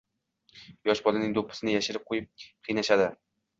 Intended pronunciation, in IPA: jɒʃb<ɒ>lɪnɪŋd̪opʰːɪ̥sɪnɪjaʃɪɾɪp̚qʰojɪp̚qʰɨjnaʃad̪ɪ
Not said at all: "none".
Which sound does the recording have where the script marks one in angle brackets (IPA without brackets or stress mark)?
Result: ɒ